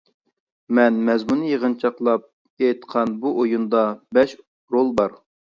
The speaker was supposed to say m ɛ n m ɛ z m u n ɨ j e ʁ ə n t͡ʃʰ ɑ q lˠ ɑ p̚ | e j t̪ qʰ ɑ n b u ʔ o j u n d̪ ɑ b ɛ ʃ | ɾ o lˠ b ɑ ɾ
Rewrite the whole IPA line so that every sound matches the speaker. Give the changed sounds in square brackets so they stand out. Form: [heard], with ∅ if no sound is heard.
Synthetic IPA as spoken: m ɛ n m ɛ z m u n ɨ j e ʁ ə n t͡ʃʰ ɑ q lˠ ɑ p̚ | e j t̪ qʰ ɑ n b u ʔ o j u n d̪ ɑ b ɛ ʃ | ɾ o lˠ b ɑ ɾ

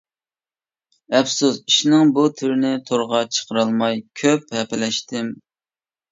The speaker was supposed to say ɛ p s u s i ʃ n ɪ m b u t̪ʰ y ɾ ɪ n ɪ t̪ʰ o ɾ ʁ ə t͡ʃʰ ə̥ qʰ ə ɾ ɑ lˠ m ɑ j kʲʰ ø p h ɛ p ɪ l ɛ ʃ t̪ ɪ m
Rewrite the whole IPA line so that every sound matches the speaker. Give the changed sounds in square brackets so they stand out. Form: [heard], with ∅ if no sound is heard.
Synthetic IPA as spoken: ɛ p s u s i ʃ n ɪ [ŋ] b u t̪ʰ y ɾ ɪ n ɪ t̪ʰ o ɾ ʁ [ɑ] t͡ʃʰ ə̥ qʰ ə ɾ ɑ lˠ m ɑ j kʲʰ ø p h ɛ p ɪ l ɛ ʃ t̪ ɪ m

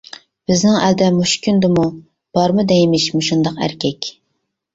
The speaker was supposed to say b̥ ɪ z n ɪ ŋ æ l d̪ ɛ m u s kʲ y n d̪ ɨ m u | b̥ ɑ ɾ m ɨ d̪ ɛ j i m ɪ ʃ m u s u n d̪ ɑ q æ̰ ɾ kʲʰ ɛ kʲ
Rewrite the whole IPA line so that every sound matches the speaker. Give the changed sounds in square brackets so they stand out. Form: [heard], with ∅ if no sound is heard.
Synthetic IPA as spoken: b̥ ɪ z n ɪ ŋ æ l d̪ ɛ m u [ʃ] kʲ y n d̪ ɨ m u | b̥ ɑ ɾ m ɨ d̪ ɛ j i m ɪ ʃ m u [ʃ] u n d̪ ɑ q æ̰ ɾ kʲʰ ɛ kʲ

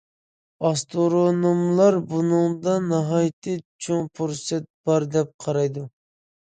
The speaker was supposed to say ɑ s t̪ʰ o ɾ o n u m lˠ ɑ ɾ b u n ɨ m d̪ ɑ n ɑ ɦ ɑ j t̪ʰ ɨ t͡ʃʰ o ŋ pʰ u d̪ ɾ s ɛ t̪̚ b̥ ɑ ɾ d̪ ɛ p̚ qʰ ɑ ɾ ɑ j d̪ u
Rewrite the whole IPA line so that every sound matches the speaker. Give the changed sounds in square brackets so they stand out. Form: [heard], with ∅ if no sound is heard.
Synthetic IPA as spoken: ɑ s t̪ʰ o ɾ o n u m lˠ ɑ ɾ b u n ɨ [ŋ] d̪ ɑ n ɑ ɦ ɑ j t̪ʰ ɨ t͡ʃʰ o ŋ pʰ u [∅] ɾ s ɛ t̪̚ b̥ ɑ ɾ d̪ ɛ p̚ qʰ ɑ ɾ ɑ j d̪ u

